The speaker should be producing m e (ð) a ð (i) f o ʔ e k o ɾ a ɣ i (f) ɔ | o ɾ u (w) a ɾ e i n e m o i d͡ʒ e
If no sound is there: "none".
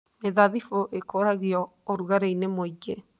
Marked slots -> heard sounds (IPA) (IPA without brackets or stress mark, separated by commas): ð, i, none, ɣ